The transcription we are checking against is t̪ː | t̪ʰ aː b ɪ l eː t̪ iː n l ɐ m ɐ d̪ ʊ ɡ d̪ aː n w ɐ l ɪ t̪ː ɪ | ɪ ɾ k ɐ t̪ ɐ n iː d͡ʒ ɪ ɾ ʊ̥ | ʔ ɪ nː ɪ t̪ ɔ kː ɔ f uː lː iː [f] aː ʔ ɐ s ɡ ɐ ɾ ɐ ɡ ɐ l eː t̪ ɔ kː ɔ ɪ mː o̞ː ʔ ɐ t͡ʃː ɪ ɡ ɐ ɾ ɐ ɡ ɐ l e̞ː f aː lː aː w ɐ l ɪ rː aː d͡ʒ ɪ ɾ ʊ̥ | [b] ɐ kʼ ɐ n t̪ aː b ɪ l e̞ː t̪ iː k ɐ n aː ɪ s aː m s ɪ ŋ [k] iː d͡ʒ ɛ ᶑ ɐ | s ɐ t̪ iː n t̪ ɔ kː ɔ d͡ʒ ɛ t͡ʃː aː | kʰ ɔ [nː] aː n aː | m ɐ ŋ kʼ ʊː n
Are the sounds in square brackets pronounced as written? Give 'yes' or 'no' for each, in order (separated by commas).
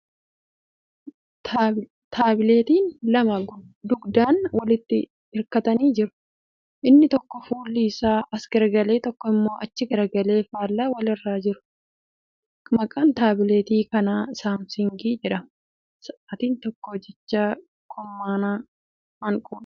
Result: no, no, no, no